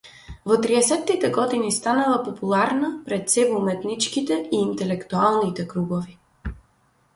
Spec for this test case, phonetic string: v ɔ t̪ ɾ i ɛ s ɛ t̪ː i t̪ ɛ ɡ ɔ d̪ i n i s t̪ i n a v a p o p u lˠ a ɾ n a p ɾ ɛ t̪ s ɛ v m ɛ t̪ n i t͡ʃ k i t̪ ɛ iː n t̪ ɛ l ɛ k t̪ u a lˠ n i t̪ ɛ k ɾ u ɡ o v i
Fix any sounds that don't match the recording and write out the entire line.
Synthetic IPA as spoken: v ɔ t̪ ɾ i ɛ s ɛ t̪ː i t̪ ɛ ɡ ɔ d̪ i n i s t̪ a n a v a p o p u lˠ a ɾ n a p ɾ ɛ t̪ s ɛ v m ɛ t̪ n i t͡ʃ k i t̪ ɛ iː n t̪ ɛ l ɛ k t̪ u a lˠ n i t̪ ɛ k ɾ u ɡ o v i

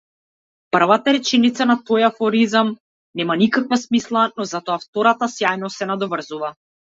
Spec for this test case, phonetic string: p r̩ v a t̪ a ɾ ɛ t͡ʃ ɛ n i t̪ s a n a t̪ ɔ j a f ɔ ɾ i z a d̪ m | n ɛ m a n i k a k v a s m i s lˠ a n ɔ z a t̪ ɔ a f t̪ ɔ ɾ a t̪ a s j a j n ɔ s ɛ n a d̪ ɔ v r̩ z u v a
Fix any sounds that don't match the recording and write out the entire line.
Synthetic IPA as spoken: p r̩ v a t̪ a ɾ ɛ t͡ʃ ɛ n i t̪ s a n a t̪ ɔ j a f ɔ ɾ i z a m | n ɛ m a n i k a k v a s m i s lˠ a n ɔ z a t̪ ɔ a f t̪ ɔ ɾ a t̪ a s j a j n ɔ s ɛ n a d̪ ɔ v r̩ z u v a

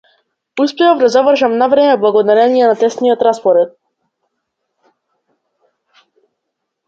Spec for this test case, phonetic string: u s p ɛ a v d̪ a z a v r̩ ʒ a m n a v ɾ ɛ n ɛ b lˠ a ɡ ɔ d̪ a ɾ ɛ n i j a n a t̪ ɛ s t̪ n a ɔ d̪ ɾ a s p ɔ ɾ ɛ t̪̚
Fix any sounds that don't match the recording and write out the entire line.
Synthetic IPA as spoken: u s p ɛ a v d̪ a z a v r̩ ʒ a m n a v ɾ ɛ m ɛ b lˠ a ɡ ɔ d̪ a ɾ ɛ n i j ɛ n a t̪ ɛ s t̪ n i ɔ t̪ ɾ a s p ɔ ɾ ɛ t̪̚

